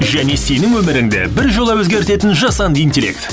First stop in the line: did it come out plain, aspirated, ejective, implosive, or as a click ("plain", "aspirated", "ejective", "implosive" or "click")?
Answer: plain